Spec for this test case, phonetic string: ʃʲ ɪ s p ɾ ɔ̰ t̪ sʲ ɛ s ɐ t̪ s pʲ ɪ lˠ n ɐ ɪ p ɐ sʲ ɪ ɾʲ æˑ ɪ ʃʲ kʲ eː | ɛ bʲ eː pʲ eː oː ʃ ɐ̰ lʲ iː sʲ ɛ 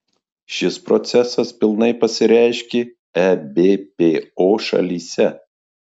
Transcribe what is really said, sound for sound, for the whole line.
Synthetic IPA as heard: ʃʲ ɪ s p ɾ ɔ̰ t̪ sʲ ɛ s ɐ s pʲ ɪ lˠ n ɐ ɪ p ɐ sʲ ɪ ɾʲ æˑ ɪ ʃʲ kʲ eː | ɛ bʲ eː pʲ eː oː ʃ ɐ̰ lʲ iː sʲ ɛ